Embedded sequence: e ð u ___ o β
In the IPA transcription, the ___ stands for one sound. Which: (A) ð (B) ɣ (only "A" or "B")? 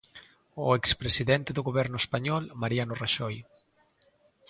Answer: B